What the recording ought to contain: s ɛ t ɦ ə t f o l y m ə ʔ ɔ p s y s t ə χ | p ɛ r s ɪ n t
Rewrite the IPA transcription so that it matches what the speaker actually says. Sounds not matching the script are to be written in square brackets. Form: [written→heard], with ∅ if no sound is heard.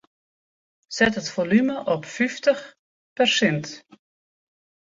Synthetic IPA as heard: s ɛ t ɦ ə t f o l y m ə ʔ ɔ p [s→f] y [s→f] t ə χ | p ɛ r s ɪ n t